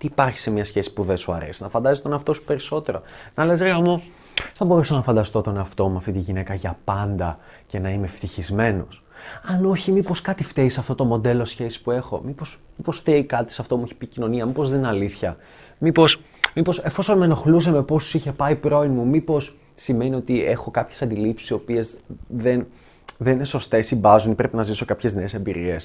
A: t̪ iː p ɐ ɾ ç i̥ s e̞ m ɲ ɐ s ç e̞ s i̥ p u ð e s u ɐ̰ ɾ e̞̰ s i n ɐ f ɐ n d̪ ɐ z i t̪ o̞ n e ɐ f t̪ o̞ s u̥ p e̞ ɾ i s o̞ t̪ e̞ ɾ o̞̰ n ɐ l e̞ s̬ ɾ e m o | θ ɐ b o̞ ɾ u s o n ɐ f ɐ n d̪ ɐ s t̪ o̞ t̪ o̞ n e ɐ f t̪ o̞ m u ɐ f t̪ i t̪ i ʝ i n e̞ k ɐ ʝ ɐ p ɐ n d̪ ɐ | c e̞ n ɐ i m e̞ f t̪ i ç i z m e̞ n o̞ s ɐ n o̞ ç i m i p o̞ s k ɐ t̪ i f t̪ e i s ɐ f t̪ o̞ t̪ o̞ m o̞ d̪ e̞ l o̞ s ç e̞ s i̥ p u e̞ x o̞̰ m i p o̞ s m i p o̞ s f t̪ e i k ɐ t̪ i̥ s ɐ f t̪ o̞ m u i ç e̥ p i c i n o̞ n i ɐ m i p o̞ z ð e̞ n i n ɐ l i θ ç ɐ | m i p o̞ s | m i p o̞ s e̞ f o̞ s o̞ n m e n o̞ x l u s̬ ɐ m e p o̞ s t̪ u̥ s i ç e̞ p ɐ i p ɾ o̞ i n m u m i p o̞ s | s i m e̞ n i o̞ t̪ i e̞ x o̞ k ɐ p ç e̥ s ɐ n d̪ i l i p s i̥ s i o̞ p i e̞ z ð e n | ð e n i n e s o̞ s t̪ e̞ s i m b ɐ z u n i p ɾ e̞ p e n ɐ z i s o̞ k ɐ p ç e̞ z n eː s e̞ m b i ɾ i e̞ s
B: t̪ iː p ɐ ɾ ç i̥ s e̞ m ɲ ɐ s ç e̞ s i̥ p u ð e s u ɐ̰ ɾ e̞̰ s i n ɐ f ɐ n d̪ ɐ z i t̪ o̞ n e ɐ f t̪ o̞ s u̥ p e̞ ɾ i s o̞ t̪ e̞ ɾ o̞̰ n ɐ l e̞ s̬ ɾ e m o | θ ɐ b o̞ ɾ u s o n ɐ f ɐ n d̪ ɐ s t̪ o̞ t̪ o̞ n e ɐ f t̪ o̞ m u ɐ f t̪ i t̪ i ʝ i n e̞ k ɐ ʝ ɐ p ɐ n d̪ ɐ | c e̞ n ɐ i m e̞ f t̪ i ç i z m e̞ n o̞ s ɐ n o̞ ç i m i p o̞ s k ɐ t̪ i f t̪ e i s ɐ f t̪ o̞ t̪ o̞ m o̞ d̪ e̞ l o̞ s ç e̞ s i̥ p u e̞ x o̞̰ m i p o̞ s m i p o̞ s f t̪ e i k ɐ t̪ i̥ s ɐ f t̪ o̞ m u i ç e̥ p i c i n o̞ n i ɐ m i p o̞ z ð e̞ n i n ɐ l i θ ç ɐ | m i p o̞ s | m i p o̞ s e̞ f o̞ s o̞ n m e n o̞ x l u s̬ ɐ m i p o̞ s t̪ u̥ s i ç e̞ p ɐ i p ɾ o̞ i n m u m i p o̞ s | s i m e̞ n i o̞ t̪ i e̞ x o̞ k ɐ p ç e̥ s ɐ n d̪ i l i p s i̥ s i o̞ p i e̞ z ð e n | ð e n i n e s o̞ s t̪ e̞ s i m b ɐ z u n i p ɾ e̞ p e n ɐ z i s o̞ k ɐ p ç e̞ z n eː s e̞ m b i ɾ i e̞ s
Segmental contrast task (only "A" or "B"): A